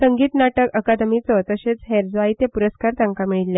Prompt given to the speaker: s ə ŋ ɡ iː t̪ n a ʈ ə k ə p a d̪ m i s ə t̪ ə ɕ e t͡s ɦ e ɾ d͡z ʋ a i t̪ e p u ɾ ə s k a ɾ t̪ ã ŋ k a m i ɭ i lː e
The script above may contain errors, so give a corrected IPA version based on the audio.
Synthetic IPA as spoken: s ə ŋ ɡ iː t̪ n a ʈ ə k ə k a d̪ m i t͡s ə t̪ ə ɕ e t͡s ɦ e ɾ d͡z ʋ a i t̪ e p u ɾ ə s k a ɾ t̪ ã ŋ k a m i ɭ i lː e